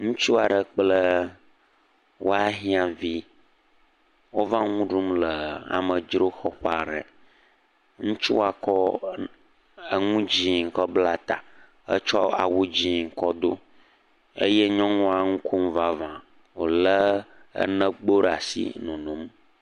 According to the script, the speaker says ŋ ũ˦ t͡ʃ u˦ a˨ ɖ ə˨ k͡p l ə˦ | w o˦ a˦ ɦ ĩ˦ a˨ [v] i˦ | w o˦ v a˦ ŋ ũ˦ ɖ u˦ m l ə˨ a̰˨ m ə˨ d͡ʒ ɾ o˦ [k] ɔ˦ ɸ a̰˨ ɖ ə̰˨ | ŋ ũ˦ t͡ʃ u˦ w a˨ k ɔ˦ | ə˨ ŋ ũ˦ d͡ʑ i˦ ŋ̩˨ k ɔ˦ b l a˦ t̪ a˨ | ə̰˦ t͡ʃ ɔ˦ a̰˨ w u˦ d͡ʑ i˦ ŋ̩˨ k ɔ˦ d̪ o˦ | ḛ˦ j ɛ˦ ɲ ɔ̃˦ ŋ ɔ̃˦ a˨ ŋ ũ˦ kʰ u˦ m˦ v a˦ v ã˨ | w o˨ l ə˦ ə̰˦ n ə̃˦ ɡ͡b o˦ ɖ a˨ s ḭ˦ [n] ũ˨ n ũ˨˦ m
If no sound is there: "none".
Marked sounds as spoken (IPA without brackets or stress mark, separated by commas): v, x, n